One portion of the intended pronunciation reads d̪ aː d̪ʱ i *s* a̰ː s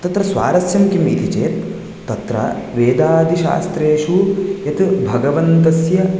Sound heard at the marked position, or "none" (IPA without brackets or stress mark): ʃ